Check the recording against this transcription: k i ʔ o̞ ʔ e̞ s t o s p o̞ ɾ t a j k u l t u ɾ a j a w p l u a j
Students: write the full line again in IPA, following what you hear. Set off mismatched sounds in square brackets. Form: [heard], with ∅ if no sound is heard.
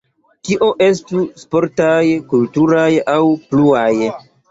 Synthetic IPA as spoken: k i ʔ o̞ ʔ e̞ s t [u] s p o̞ ɾ t a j k u l t u ɾ a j a w p l u a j